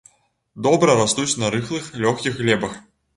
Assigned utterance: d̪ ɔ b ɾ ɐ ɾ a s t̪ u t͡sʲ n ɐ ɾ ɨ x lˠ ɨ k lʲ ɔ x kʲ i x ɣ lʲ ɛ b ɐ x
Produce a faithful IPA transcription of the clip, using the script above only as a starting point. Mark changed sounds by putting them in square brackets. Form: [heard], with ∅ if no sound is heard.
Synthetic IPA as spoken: d̪ ɔ b ɾ ɐ ɾ a s t̪ u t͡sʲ n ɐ ɾ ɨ x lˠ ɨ [x] lʲ ɔ x kʲ i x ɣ lʲ ɛ b ɐ x